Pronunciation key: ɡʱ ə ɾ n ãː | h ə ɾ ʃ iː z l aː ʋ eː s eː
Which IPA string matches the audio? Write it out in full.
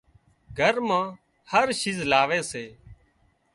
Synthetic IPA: ɡʱ ə ɾ m ãː | h ə ɾ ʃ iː z l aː ʋ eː s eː